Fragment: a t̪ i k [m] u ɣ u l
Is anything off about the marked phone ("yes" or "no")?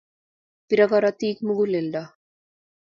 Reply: no